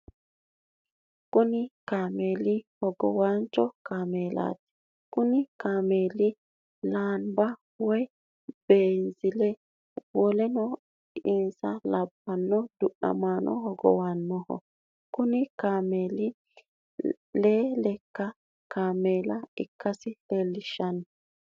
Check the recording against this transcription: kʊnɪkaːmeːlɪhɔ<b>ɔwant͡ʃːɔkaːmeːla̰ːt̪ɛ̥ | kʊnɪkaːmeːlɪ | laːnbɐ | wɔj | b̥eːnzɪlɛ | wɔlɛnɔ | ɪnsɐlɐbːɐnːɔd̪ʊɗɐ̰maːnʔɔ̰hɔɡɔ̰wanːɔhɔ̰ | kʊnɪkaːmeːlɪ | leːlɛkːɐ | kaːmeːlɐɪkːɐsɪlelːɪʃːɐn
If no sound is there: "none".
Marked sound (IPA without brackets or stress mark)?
ɡ